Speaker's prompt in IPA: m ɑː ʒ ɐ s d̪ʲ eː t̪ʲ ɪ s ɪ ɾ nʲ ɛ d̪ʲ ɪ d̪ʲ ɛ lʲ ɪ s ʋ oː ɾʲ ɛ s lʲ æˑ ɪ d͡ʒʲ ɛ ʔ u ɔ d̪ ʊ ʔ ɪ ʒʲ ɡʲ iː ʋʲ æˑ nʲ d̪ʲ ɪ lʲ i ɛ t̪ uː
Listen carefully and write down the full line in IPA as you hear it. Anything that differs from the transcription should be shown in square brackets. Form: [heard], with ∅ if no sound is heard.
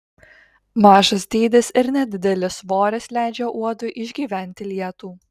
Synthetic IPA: m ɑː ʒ ɐ s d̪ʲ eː [d̪ʲ] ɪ s ɪ ɾ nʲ ɛ d̪ʲ ɪ d̪ʲ ɛ lʲ ɪ s ʋ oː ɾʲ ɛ s lʲ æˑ ɪ d͡ʒʲ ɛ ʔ u ɔ d̪ ʊ ʔ ɪ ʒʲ ɡʲ iː ʋʲ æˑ nʲ [t̪ʲ] ɪ lʲ i ɛ t̪ uː